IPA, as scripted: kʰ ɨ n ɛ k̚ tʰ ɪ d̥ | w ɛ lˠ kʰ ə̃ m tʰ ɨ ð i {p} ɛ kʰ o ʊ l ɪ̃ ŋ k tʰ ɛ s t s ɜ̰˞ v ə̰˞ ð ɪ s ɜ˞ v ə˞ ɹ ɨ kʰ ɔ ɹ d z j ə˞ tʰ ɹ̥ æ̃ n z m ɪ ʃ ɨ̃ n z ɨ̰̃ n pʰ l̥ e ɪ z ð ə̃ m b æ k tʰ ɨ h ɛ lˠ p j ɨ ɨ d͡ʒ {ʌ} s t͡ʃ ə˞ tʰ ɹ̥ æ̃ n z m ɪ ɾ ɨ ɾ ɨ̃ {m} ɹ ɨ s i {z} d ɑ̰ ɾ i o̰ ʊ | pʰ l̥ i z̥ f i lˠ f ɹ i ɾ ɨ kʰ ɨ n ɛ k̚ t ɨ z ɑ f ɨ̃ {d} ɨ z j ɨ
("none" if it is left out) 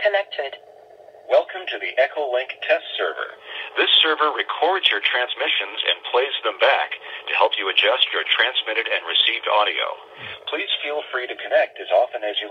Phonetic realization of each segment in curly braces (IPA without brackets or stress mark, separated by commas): ʔ, ʌ, n, v, n